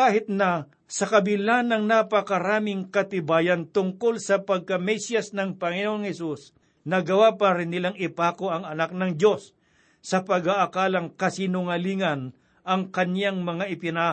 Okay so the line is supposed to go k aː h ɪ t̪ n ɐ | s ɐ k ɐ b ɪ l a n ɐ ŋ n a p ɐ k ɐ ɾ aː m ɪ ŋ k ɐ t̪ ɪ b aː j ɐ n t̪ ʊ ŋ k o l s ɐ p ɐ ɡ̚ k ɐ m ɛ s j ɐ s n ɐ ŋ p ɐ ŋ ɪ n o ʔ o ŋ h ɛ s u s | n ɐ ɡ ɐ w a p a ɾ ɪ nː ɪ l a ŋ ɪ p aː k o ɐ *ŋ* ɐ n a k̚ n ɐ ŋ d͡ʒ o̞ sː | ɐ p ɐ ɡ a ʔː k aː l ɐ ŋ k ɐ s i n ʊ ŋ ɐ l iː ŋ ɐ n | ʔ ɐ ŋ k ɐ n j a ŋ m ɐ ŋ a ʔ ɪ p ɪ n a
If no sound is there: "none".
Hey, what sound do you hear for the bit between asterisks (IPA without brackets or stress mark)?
ŋ